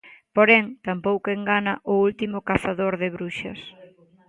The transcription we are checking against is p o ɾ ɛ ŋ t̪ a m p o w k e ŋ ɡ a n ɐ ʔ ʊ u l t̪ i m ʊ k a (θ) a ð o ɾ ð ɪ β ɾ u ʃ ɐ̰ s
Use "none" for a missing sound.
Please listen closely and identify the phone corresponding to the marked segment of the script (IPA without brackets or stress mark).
θ